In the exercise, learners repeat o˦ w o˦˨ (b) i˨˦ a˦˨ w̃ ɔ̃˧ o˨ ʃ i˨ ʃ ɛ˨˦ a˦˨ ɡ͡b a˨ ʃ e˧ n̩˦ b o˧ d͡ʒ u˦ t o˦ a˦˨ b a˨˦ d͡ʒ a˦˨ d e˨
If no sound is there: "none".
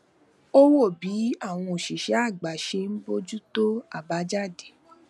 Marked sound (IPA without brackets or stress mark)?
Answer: b